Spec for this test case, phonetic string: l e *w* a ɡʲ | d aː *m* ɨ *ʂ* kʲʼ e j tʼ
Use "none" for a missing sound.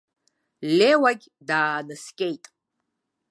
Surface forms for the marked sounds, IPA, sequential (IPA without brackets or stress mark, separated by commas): w, n, s